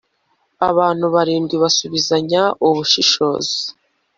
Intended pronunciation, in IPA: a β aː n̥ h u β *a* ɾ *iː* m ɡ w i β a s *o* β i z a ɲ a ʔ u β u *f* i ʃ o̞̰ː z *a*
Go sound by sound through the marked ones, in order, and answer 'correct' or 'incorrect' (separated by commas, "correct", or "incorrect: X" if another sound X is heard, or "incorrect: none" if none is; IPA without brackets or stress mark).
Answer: correct, correct, incorrect: u, incorrect: ʃ, incorrect: i